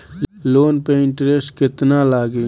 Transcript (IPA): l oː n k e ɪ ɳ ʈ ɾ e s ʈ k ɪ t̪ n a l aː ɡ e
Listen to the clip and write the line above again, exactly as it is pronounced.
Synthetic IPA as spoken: l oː n p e ɪ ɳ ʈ ɾ e s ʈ k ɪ t̪ n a l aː ɡ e